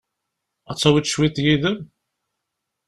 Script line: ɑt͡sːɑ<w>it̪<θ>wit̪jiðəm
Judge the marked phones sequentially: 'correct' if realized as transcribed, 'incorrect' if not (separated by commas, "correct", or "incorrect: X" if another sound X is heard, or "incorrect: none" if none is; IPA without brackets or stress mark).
correct, incorrect: ʃ